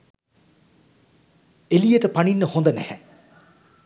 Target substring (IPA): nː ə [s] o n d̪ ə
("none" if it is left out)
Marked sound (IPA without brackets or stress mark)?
h